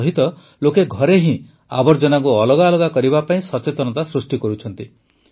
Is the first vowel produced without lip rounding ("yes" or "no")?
yes